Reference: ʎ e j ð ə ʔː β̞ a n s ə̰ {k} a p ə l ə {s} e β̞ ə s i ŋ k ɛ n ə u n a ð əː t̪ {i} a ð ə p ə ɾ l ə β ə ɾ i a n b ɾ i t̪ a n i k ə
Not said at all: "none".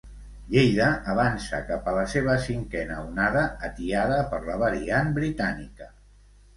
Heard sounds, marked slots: k, s, i

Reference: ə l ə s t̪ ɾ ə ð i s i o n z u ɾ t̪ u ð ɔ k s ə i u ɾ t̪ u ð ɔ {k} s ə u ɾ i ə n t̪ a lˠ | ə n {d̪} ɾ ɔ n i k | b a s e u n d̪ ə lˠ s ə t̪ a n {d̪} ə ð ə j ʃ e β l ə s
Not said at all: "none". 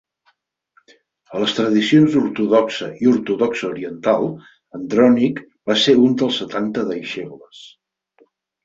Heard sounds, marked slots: k, d̪, t̪

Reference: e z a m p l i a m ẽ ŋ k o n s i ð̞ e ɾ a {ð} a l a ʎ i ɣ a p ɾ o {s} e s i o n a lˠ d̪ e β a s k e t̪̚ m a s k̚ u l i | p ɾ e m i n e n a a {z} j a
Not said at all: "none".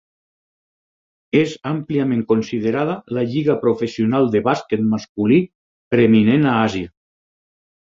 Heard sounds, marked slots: ð, f, z

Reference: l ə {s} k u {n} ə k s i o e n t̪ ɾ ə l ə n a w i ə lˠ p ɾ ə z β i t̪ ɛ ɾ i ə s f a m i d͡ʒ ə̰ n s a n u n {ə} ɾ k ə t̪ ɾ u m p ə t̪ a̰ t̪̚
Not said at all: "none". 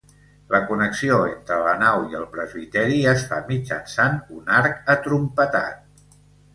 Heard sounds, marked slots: none, n, a

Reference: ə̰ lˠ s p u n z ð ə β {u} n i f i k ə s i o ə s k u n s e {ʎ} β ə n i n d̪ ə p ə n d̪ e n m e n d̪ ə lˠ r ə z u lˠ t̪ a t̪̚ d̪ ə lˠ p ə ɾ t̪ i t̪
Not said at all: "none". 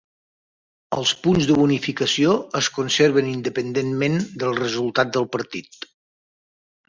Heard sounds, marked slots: u, ɾ

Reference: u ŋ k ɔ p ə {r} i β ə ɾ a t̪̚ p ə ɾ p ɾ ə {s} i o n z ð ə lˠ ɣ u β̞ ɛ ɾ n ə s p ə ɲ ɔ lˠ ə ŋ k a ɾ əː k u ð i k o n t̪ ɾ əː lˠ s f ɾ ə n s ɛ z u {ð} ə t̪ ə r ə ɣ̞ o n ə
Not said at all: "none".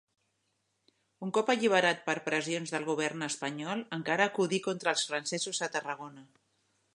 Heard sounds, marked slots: ʎ, z, z

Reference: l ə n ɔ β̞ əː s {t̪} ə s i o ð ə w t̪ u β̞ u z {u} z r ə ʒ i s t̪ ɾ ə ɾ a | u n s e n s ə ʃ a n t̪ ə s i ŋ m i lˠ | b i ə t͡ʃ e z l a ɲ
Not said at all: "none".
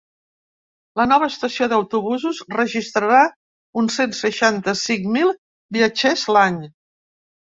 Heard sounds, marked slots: t̪, u

